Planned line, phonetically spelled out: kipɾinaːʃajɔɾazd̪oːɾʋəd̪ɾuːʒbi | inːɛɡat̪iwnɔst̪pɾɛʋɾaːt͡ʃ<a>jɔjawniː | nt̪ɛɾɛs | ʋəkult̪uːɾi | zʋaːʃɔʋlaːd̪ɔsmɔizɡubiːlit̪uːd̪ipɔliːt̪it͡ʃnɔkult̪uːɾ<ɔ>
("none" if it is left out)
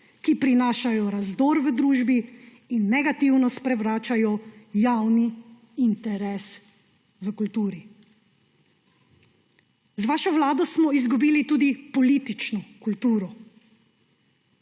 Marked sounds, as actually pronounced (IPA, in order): a, ɔ

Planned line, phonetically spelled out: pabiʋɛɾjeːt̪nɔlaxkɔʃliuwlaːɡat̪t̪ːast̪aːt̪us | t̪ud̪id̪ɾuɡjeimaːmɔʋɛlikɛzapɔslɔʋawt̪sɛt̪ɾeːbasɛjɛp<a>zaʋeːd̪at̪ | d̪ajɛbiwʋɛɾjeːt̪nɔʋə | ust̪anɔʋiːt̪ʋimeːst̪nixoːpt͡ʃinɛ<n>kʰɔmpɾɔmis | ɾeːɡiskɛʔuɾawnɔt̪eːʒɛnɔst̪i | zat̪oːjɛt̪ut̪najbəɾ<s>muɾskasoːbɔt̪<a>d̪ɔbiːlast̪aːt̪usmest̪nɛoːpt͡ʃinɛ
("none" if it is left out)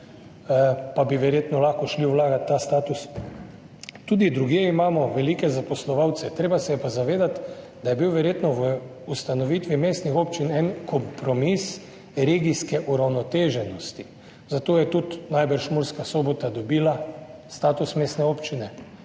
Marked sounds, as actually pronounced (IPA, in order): a, n, ʃ, a

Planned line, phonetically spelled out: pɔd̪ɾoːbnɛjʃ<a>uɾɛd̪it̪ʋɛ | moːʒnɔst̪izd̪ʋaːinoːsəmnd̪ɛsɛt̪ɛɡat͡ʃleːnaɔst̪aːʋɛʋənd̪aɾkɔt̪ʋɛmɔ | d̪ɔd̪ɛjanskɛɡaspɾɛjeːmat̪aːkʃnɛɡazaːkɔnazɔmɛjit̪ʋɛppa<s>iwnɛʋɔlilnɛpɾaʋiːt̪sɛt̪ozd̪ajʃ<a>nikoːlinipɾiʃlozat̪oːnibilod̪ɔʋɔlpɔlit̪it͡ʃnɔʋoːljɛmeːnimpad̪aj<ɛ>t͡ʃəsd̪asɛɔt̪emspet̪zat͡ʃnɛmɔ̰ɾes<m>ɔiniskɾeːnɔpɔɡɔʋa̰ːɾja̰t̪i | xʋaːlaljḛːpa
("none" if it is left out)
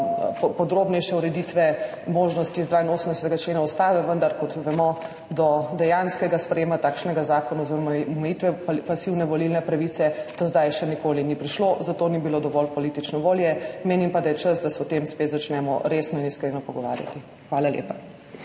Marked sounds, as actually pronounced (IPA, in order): ɛ, s, ɛ, ɛ, n

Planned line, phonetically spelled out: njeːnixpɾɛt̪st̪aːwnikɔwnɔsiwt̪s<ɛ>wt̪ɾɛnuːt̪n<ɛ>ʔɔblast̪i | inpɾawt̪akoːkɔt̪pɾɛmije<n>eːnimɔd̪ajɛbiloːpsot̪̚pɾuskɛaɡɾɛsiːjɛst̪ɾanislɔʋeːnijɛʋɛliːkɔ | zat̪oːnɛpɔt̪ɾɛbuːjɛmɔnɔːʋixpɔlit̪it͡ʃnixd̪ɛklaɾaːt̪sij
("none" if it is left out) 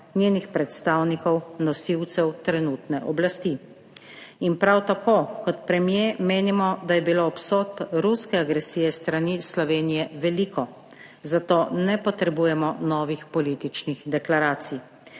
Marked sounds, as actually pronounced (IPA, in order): ɛ, ɛ, m

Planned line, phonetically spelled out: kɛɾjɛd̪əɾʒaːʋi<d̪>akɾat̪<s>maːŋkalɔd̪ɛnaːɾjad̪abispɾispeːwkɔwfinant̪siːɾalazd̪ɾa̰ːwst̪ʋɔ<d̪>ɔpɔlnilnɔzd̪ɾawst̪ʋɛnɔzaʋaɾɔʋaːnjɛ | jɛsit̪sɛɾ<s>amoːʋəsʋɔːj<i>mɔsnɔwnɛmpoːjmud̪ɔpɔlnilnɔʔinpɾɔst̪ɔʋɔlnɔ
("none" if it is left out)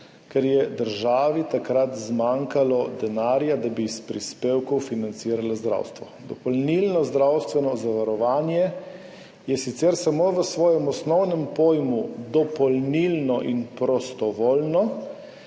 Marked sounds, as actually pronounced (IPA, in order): t̪, z, d̪, s, ɛ

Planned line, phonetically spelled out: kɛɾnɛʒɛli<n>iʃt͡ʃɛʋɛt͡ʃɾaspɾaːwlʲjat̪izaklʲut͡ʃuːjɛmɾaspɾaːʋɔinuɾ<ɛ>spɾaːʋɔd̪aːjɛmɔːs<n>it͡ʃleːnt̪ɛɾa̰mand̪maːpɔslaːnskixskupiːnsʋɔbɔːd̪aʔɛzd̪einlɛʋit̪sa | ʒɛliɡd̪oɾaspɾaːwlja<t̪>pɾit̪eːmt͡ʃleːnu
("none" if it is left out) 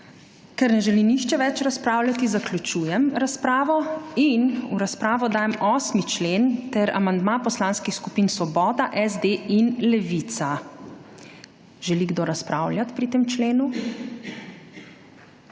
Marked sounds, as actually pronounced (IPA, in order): n, a, m, t̪

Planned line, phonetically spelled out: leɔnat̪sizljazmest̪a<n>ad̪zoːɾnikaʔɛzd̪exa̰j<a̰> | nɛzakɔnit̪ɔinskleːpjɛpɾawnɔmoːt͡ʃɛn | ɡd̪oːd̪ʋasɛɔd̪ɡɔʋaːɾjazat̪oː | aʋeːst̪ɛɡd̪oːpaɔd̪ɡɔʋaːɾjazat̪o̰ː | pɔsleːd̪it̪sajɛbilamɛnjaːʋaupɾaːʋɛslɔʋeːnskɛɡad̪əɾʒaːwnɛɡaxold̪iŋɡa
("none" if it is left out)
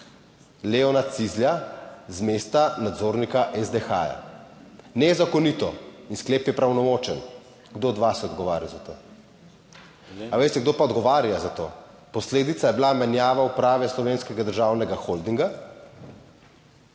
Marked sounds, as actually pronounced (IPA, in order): n, a̰

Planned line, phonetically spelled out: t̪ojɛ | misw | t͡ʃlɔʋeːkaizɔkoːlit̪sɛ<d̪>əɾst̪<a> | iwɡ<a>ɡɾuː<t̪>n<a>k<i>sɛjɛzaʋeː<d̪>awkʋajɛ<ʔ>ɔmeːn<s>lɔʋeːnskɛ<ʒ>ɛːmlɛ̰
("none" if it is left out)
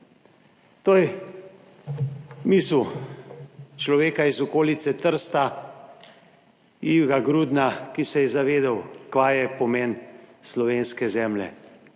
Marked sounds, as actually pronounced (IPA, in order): t̪, a, a, d̪, a, i, d̪, p, s, z

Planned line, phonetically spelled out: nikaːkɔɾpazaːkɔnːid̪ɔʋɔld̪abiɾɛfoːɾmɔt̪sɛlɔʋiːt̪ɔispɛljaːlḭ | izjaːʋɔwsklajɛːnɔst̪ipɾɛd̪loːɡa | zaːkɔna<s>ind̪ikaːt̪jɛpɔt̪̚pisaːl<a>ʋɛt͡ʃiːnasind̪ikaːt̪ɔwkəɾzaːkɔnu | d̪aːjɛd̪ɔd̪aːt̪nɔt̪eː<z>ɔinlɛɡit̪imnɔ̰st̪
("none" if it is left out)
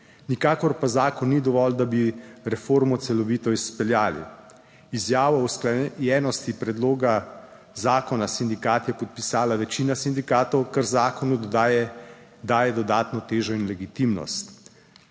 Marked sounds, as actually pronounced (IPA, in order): s, a, ʒ

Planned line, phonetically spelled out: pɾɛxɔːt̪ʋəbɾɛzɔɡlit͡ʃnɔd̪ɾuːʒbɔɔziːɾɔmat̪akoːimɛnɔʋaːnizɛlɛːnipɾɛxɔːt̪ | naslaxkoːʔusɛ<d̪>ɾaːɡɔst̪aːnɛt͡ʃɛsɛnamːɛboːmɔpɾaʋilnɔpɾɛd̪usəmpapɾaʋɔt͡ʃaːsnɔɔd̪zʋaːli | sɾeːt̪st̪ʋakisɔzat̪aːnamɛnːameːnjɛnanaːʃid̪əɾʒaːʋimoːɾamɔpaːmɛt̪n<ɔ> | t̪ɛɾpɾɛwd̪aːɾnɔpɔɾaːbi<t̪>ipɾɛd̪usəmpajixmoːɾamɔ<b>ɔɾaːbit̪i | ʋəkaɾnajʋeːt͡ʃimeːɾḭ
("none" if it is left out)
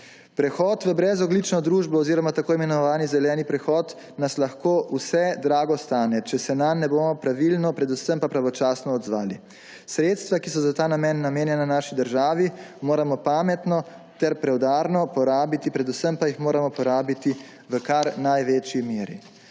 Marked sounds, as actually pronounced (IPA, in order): d̪, ɔ, t̪, p

